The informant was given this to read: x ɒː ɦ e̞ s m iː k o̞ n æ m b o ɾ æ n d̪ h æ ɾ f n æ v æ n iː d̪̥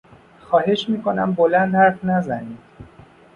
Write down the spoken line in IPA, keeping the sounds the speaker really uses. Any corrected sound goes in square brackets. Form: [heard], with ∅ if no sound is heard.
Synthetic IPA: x ɒː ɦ e̞ [ʃ] m iː k o̞ n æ m b o [l] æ n d̪ h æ ɾ f n æ [z] æ n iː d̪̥